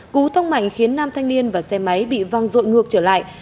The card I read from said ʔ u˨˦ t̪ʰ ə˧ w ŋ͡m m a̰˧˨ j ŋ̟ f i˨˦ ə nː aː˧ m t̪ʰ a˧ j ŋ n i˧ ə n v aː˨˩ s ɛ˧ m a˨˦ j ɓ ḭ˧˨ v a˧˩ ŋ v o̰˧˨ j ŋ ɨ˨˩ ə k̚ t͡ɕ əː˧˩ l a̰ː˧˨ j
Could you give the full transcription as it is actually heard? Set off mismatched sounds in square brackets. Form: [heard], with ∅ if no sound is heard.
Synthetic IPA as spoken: [k] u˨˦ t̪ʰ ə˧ w ŋ͡m m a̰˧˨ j ŋ̟ [x] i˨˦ ə nː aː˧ m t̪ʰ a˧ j ŋ n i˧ ə n v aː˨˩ s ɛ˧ m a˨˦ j ɓ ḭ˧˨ v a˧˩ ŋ [z] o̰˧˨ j ŋ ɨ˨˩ ə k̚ t͡ɕ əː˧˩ l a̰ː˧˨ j